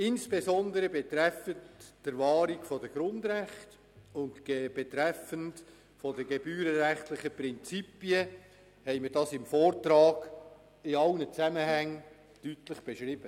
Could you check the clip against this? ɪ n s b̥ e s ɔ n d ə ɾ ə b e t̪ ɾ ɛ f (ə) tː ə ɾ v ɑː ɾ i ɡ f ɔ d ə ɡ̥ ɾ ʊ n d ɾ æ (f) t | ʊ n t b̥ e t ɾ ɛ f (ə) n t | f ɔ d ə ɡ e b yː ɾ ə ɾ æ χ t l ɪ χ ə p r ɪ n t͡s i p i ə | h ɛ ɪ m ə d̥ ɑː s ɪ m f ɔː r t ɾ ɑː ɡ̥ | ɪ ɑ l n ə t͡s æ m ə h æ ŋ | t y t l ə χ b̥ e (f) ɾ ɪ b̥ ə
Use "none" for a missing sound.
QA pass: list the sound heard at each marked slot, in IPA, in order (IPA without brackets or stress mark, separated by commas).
ə, χ, ə, ʃ